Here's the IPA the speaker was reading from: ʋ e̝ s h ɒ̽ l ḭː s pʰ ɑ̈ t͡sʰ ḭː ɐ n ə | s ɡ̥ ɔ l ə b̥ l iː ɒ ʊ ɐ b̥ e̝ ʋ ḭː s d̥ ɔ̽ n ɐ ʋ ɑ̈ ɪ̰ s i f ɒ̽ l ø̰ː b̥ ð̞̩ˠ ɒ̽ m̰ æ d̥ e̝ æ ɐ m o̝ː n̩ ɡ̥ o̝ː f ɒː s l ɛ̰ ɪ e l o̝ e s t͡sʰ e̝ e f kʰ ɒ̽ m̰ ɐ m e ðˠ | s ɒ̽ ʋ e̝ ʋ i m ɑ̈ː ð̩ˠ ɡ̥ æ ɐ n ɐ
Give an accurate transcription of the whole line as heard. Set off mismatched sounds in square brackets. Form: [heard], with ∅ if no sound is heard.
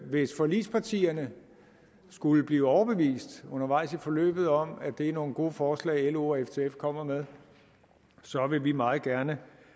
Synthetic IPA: ʋ e̝ s [f] ɒ̽ l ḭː s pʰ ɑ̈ t͡sʰ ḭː ɐ n ə | s ɡ̥ [u] l ə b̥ l iː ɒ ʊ ɐ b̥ e̝ ʋ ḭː s d̥ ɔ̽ n ɐ ʋ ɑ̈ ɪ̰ s i f ɒ̽ l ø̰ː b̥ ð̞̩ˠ ɒ̽ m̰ æ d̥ e̝ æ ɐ [n] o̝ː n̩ ɡ̥ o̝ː f ɒː s l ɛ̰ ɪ e l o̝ e [f] t͡sʰ e̝ e f kʰ ɒ̽ m̰ ɐ m e ðˠ | s ɒ̽ ʋ e̝ ʋ i m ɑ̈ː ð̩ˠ ɡ̥ æ ɐ n [ə]